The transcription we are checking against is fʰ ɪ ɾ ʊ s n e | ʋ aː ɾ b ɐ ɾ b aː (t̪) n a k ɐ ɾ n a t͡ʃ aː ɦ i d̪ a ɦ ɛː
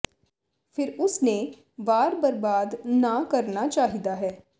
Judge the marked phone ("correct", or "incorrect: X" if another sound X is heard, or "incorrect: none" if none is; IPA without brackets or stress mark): incorrect: d̪